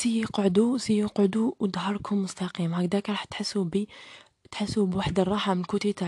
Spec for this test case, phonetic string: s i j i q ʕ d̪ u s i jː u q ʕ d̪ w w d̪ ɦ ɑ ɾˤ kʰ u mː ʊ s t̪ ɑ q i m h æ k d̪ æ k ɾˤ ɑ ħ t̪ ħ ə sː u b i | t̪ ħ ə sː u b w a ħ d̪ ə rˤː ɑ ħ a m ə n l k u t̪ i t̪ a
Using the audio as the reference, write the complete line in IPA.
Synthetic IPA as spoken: s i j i q ʕ d̪ u s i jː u q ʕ d̪ u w d̪ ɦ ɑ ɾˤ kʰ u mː ʊ s t̪ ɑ q i m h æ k d̪ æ k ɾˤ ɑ ħ t̪ ħ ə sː u b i | t̪ ħ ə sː u b w a ħ d̪ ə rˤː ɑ ħ a m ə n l k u t̪ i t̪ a